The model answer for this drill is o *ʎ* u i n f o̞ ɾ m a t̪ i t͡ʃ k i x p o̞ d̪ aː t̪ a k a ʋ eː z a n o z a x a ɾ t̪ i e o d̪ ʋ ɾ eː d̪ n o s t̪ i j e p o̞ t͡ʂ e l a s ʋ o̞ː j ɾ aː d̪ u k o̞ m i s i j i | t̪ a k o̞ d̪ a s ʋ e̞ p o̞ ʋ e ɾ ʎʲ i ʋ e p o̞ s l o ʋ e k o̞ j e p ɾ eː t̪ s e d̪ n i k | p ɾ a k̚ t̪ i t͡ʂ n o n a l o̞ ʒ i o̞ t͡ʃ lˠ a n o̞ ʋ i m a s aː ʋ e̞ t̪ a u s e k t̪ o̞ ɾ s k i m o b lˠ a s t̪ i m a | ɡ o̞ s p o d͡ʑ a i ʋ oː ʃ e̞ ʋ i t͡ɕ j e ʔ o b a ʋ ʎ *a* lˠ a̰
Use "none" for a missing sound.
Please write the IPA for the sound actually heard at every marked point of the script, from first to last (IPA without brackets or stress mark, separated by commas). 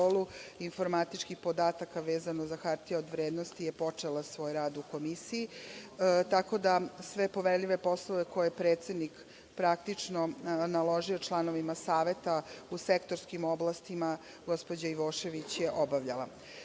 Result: l, a